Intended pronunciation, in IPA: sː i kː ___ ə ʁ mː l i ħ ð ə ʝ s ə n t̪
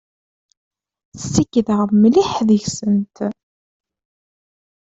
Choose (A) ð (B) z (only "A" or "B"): A